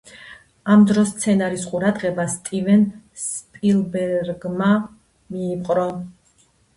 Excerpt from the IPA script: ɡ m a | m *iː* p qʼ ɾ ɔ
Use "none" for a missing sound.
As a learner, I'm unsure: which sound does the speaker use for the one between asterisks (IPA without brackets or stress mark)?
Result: iː